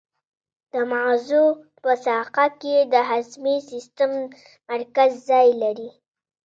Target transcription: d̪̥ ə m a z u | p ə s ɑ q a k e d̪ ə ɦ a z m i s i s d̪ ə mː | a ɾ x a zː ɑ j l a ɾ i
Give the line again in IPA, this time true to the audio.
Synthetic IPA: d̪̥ ə m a z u | p ə s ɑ q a k e d̪ ə ɦ a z m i s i s t̪ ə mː | a ɾ k a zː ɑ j l a ɾ i